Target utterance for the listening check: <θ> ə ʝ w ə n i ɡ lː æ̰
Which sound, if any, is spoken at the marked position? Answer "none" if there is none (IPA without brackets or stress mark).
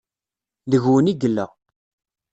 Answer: ð